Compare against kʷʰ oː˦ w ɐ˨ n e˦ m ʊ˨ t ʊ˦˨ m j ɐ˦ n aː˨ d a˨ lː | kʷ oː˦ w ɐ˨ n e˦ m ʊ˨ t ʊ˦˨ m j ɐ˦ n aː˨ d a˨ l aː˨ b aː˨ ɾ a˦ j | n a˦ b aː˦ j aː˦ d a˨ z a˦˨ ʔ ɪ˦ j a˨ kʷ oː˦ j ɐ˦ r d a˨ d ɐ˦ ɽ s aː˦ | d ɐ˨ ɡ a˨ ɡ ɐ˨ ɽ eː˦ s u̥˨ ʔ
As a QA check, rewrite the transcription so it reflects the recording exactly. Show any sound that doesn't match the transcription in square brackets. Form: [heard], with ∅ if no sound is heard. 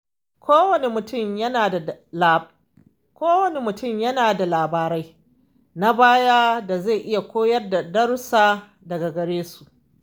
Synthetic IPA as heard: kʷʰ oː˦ w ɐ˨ n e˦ m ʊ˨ t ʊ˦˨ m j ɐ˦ n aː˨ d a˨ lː | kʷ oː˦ w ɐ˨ n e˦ m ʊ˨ t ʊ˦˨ m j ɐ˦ n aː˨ d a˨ l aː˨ b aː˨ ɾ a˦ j | n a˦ b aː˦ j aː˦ d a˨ z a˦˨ ʔ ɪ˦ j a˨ kʷ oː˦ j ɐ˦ r d a˨ d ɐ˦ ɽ s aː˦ | d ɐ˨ ɡ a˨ ɡ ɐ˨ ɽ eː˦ s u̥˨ ʔ